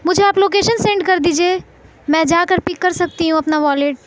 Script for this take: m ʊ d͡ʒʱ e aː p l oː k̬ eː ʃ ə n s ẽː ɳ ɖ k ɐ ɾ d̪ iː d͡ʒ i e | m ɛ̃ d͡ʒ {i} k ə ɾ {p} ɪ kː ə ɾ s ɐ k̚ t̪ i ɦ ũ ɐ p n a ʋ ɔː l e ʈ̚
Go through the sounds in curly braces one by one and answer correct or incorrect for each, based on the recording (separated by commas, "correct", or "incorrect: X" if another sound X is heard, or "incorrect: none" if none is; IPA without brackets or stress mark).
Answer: incorrect: a, correct